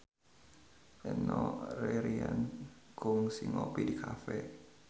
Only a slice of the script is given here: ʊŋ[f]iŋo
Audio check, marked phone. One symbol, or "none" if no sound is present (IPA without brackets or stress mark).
s